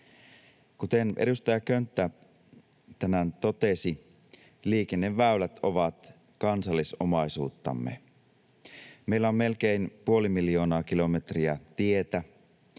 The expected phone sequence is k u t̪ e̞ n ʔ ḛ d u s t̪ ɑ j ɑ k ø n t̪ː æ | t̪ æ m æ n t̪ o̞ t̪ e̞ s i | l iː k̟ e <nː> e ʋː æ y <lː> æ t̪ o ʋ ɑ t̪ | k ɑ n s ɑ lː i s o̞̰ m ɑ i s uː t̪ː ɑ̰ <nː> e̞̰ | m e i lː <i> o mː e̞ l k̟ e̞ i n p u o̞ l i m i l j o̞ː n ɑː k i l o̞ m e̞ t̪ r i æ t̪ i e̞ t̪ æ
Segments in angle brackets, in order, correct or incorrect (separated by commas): correct, incorrect, incorrect, incorrect